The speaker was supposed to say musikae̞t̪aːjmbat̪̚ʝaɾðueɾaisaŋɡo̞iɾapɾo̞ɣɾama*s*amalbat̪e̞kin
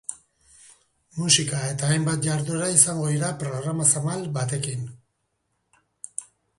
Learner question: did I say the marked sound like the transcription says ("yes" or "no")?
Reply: yes